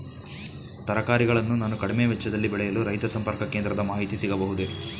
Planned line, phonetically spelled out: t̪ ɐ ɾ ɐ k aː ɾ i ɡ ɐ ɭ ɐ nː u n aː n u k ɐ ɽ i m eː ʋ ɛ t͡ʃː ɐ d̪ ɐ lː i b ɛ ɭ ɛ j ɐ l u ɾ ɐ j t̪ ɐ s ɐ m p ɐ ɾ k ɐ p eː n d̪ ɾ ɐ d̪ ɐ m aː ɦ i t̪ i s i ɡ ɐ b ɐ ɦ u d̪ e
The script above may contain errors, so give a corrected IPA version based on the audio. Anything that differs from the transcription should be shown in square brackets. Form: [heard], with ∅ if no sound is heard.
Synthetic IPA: t̪ ɐ ɾ ɐ k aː ɾ i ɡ ɐ ɭ ɐ nː u n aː n u k ɐ ɽ i m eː ʋ ɛ t͡ʃː ɐ d̪ ɐ lː i b ɛ ɭ ɛ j ɐ l u ɾ ɐ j t̪ ɐ s ɐ m p ɐ ɾ k ɐ [k] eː n d̪ ɾ ɐ d̪ ɐ m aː ɦ i t̪ i s i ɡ ɐ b ɐ ɦ u d̪ e